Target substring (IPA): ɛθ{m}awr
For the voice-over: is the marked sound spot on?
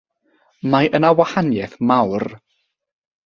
yes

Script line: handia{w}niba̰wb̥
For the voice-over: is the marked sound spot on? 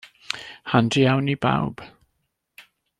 yes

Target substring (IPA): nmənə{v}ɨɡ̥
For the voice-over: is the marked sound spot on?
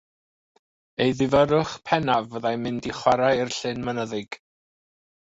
no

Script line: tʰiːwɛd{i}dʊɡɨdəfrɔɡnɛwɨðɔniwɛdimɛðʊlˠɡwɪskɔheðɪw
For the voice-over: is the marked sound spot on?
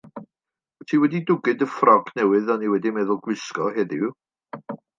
yes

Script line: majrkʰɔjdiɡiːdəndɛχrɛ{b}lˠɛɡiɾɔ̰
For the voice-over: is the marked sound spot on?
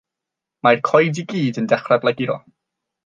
yes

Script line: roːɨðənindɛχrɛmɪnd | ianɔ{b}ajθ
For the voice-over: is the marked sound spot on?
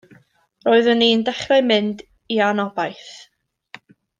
yes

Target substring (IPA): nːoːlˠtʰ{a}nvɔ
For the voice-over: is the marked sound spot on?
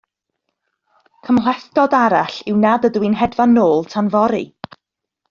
yes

